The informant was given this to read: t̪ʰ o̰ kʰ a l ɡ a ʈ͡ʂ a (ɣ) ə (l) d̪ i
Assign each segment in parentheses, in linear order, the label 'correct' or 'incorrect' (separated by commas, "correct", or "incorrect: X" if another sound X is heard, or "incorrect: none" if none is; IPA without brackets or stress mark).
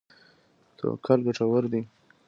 incorrect: w, incorrect: ɾ